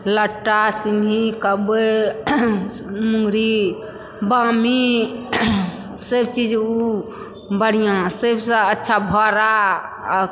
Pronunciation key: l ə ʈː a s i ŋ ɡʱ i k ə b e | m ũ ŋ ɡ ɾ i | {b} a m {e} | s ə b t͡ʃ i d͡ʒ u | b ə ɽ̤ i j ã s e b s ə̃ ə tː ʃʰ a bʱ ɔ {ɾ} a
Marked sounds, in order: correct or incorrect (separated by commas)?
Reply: correct, incorrect, correct